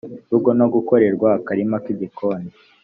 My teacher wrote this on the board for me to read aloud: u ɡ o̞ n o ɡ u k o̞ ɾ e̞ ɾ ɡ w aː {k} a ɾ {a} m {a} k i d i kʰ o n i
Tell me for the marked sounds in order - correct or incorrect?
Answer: correct, incorrect, correct

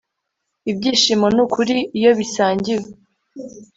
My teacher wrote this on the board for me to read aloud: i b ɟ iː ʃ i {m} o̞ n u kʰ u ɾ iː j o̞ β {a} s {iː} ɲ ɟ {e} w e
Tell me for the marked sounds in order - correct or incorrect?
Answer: correct, incorrect, incorrect, incorrect

